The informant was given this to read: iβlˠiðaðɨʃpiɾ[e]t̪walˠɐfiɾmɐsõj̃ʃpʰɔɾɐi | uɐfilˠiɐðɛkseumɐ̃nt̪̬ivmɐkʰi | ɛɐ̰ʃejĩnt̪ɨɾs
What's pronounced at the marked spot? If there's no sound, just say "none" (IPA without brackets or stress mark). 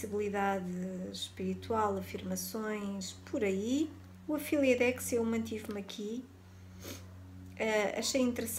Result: i